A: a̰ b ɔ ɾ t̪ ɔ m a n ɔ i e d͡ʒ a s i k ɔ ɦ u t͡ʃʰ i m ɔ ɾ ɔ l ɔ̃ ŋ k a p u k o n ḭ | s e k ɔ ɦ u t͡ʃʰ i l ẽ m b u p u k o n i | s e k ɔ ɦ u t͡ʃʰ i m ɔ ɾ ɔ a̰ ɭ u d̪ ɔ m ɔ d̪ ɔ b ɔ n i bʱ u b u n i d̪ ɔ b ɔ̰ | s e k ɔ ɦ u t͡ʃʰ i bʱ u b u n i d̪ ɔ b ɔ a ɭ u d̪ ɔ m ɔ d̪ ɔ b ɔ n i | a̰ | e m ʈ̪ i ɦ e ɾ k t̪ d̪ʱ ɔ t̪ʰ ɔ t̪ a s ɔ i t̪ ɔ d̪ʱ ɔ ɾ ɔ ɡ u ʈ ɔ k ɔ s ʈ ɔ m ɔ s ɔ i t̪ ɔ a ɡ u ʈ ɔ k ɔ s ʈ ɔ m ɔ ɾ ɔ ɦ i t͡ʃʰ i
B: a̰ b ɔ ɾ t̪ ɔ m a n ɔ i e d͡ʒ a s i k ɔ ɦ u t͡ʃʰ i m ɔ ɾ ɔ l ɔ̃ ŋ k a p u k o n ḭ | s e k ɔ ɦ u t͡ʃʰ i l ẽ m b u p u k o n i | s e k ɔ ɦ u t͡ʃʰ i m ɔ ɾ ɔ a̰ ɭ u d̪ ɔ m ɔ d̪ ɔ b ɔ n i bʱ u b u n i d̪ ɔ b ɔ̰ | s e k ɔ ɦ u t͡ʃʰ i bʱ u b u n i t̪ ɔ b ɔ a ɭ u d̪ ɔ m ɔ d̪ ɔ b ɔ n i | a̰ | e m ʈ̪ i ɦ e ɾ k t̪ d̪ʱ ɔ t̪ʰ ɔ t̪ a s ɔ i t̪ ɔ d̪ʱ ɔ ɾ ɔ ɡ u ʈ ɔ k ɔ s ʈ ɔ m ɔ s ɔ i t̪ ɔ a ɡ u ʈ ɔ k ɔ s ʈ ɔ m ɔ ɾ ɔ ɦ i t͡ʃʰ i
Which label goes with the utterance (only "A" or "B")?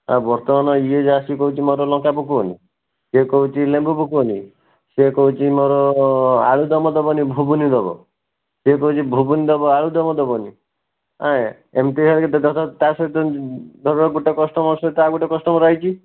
A